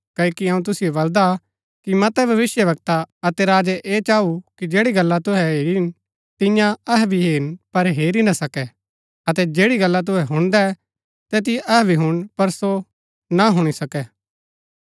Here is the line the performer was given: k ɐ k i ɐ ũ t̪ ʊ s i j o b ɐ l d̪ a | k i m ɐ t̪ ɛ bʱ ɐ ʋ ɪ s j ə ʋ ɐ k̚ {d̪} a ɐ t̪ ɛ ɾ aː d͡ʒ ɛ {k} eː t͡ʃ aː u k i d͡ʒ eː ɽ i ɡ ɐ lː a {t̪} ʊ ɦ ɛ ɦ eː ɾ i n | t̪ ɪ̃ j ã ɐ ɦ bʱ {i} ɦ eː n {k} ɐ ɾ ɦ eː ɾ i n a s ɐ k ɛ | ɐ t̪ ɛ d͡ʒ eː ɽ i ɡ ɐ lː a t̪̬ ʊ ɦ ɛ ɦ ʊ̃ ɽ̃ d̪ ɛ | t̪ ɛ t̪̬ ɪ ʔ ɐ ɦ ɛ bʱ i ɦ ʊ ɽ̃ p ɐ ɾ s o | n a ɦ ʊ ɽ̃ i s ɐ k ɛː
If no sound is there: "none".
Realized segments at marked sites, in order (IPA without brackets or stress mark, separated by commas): t̪, ʔ, t̪, i, p